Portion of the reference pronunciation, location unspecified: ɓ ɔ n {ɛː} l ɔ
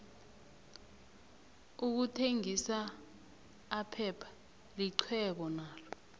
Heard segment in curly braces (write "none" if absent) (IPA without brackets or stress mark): aː